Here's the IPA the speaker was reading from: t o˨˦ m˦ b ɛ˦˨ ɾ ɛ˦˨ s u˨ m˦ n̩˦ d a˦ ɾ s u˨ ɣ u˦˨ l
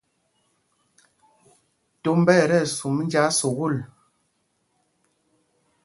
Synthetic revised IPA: t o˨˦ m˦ b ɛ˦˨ ɾ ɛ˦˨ s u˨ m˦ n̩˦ d͡ʒ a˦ s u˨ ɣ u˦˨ l